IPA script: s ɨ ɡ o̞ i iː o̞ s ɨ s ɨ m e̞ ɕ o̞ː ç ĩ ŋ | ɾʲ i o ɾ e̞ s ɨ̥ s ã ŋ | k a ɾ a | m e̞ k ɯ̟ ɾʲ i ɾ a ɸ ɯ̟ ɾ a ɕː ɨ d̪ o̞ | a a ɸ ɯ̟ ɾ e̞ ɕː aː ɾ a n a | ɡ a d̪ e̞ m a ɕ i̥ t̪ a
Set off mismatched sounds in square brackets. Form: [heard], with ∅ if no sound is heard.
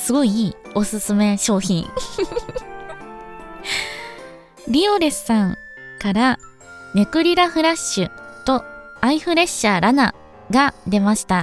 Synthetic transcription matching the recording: s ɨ ɡ o̞ i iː o̞ s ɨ s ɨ m e̞ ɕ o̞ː ç ĩ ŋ | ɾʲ i o ɾ e̞ s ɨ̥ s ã ŋ | k a ɾ a | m e̞ k ɯ̟ ɾʲ i ɾ a ɸ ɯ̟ ɾ a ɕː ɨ [t̪] o̞ | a [i] ɸ ɯ̟ ɾ e̞ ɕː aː ɾ a n a | ɡ a d̪ e̞ m a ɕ i̥ t̪ a